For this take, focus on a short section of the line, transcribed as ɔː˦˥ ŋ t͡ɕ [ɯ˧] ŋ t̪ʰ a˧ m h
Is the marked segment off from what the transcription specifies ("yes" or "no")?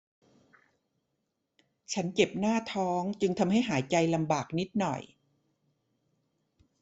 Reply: no